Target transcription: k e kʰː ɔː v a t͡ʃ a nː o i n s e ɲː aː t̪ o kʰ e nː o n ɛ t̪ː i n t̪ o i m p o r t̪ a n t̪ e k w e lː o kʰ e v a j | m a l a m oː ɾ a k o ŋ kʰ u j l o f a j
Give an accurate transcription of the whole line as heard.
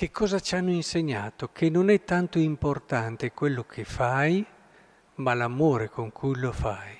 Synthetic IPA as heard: k e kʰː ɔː z a t͡ʃ a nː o i n s e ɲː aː t̪ o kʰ e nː o n ɛ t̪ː a n t̪ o i m p o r t̪ a n t̪ e k w e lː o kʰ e f a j | m a l a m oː ɾ e k o ŋ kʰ u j l o f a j